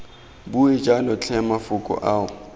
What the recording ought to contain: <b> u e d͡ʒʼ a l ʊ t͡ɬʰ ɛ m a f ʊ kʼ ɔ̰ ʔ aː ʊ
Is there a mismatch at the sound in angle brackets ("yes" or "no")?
no